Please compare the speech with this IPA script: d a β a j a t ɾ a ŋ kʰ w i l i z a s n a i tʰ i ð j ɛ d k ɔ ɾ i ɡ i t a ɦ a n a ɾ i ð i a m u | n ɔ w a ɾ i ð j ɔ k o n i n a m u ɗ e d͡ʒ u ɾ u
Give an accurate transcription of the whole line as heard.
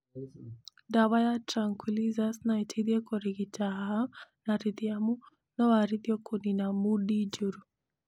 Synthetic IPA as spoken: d a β a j a t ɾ a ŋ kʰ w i l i z a s n a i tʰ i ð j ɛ k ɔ ɾ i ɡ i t a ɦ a n a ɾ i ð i a m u | n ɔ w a ɾ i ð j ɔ k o n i n a m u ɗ i d͡ʒ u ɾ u